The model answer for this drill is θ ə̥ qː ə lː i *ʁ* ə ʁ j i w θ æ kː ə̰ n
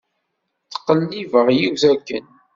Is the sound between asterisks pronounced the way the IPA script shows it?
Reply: no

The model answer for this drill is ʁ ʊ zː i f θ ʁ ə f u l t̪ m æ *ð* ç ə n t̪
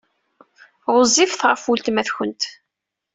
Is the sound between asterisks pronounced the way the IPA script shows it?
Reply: no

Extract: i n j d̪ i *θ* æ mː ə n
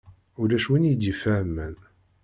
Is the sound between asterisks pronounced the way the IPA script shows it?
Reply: no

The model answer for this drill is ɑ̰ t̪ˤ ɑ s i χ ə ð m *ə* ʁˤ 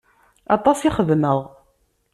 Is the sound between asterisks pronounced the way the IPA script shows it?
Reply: yes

